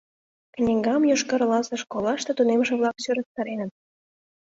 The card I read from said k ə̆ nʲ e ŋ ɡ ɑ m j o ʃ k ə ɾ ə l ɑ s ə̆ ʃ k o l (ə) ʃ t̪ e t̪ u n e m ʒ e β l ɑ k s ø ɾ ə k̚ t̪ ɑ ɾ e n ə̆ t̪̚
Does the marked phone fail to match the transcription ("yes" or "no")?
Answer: yes